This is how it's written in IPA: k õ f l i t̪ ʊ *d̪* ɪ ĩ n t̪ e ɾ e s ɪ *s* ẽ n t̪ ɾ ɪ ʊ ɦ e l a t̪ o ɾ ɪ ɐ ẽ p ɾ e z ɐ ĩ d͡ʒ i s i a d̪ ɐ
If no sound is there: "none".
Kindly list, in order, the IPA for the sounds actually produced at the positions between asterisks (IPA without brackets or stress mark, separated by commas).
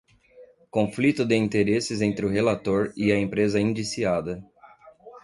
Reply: d̪, z